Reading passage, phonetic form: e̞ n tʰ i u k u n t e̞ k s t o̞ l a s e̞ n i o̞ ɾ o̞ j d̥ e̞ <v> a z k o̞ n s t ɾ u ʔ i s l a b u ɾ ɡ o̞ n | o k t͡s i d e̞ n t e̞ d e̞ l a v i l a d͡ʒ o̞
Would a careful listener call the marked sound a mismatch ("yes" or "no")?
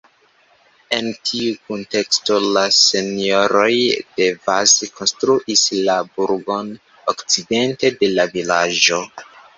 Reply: no